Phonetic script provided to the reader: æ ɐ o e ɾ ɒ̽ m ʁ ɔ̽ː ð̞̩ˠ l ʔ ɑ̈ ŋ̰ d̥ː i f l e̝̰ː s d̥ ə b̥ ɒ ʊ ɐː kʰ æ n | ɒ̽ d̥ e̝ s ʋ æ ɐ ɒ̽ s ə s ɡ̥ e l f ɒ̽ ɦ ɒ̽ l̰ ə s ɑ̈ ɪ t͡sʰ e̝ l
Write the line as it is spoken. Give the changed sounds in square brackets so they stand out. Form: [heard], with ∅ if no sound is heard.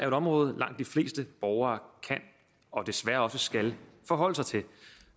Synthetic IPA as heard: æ ɐ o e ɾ ɒ̽ m ʁ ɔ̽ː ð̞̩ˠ l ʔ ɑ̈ ŋ̰ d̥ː i f l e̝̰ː s d̥ ə b̥ ɒ ʊ ɐː kʰ æ n | ɒ̽ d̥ e̝ s ʋ æ ɐ ɒ̽ s ə s ɡ̥ [æ] l f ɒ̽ ɦ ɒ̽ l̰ ə s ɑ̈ ɪ t͡sʰ e̝ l